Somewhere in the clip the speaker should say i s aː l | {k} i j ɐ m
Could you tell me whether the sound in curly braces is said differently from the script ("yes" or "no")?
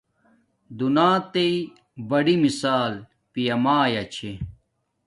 yes